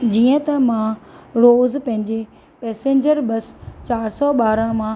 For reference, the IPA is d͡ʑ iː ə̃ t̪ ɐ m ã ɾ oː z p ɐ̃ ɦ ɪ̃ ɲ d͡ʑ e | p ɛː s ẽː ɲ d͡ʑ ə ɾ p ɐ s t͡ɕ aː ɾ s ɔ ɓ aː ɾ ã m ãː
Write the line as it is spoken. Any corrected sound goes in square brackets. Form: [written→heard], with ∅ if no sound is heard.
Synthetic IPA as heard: d͡ʑ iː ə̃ t̪ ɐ m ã ɾ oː z p ɐ̃ ɦ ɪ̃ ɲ d͡ʑ e | p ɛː s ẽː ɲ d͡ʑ ə ɾ [p→b] ɐ s t͡ɕ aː ɾ s ɔ ɓ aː ɾ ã m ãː